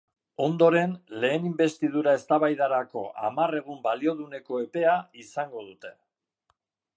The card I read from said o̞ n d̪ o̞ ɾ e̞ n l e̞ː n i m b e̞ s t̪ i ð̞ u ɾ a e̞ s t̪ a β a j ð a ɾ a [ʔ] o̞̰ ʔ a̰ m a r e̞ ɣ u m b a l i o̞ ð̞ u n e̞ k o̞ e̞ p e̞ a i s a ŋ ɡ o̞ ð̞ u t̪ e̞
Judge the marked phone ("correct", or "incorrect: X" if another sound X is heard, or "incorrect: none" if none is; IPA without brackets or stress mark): incorrect: k